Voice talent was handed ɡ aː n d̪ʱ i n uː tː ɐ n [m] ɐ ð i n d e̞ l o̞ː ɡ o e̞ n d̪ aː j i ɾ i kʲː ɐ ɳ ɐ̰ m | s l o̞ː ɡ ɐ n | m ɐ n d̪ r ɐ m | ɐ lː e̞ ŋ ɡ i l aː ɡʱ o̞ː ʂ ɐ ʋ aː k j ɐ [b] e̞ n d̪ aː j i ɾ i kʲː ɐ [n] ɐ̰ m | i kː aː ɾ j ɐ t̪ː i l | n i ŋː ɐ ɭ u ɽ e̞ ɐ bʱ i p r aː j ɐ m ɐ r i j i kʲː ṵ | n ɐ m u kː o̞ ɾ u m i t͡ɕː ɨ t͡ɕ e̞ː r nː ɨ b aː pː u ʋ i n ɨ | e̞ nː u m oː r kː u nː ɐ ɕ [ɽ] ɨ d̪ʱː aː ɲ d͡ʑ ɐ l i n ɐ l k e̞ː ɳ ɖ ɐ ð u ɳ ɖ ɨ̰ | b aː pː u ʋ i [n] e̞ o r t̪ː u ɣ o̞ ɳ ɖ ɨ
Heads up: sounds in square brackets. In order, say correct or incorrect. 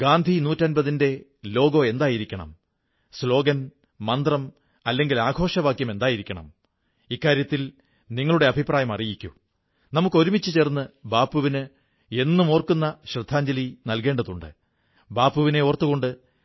incorrect: b, incorrect: m, incorrect: ɳ, incorrect: r, correct

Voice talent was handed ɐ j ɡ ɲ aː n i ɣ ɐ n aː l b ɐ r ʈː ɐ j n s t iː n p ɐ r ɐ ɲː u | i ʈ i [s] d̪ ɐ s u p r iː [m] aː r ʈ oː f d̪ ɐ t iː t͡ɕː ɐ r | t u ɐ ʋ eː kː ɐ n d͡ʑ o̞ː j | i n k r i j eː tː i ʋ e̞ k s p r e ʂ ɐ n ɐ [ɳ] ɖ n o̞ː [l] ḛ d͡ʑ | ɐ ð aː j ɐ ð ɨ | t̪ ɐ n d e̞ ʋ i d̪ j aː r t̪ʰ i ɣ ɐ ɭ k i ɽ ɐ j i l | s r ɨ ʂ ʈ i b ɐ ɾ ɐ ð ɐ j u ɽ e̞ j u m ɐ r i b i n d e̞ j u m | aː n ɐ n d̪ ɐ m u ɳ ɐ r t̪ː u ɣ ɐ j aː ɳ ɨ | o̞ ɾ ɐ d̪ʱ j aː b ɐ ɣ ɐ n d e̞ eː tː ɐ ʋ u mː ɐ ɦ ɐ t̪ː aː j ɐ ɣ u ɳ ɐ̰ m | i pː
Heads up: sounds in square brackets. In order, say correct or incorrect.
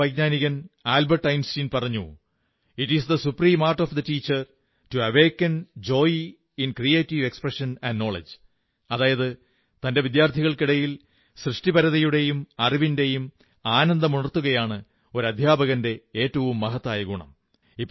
correct, correct, incorrect: n, incorrect: ɭ

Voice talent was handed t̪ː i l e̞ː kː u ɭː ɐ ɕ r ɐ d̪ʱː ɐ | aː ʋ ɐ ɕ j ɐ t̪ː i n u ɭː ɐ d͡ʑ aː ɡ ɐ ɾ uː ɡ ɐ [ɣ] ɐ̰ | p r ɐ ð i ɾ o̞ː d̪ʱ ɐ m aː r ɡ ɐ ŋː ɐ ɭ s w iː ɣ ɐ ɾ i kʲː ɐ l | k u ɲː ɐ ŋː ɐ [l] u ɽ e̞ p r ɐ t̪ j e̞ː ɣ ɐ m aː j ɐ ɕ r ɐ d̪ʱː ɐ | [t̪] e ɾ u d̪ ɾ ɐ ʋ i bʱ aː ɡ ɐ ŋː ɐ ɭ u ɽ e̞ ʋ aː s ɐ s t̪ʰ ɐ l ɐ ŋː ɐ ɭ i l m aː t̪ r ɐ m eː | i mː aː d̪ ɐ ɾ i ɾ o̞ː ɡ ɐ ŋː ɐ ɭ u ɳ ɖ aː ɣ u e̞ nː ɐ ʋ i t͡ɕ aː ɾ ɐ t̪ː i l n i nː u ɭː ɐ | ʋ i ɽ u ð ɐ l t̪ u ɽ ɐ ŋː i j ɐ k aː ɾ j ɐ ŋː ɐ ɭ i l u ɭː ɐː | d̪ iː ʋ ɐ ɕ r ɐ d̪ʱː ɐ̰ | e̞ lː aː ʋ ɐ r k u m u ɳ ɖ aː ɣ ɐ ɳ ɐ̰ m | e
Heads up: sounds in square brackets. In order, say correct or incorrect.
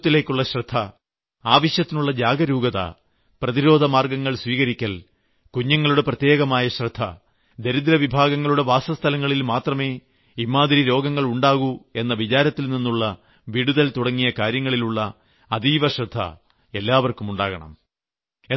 incorrect: ð, incorrect: ɭ, incorrect: d̪

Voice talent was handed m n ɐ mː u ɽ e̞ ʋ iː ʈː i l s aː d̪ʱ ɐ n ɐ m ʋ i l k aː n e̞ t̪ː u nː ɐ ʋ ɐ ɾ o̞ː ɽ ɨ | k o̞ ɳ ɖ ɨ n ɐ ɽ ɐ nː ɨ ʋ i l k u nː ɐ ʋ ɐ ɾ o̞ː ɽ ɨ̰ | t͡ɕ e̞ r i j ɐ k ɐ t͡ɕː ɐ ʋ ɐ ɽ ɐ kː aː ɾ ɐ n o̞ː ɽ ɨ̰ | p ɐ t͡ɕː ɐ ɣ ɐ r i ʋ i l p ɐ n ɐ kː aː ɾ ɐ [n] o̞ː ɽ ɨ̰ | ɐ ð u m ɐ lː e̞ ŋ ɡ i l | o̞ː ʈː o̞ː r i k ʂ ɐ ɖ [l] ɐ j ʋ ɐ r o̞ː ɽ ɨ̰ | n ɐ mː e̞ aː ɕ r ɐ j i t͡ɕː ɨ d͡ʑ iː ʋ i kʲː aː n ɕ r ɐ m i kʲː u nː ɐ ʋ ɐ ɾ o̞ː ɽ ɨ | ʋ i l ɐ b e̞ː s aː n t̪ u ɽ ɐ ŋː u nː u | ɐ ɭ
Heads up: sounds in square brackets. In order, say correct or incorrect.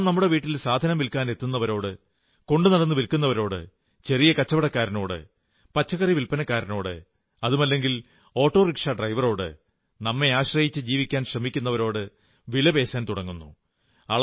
correct, incorrect: r

